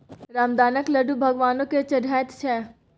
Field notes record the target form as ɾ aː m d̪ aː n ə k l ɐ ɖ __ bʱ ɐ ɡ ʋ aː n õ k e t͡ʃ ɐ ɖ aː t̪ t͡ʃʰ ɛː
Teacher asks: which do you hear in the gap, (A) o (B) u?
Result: B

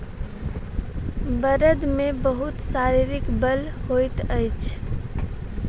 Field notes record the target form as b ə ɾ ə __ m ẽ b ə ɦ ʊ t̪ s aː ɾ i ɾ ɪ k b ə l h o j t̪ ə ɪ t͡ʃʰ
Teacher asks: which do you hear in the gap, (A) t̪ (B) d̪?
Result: B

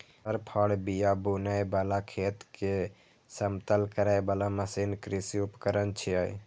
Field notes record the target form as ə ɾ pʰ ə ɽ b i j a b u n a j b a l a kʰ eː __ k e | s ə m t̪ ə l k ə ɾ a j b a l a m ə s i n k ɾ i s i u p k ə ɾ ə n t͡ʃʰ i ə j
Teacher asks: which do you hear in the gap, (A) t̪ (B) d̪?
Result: A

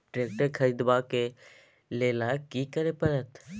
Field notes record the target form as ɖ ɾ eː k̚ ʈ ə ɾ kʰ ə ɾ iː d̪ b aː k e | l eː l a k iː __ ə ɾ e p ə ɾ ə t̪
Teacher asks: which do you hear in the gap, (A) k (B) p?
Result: A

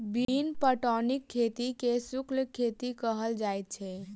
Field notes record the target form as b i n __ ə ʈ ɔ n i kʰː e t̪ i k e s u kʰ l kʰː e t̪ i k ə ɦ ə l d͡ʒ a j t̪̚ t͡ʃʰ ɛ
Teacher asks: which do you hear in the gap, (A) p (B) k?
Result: A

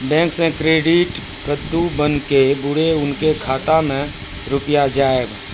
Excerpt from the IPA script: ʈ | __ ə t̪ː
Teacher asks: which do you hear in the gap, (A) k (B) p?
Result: A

